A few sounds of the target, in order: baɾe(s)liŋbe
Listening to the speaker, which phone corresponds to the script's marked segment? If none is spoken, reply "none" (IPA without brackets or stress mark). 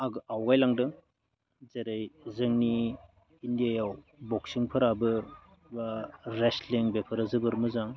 s